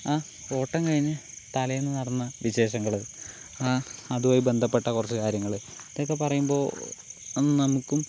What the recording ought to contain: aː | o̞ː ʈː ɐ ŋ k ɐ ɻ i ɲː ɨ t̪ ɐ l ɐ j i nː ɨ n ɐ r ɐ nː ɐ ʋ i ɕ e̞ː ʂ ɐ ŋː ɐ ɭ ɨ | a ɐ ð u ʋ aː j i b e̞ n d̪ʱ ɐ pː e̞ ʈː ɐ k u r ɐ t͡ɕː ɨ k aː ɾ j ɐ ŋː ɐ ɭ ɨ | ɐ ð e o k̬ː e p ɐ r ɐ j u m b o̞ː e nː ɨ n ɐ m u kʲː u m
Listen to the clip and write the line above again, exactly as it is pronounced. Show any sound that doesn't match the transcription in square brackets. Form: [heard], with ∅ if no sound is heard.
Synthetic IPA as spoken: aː | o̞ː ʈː ɐ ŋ k ɐ ɻ i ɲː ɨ t̪ ɐ l ɐ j [e] nː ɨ n ɐ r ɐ nː ɐ ʋ i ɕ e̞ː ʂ ɐ ŋː ɐ ɭ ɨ | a ɐ ð u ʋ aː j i b e̞ n d̪ʱ ɐ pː e̞ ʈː ɐ k u r ɐ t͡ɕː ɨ k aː ɾ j ɐ ŋː ɐ ɭ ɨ | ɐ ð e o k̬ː e p ɐ r ɐ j u m b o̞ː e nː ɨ n ɐ m u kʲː u m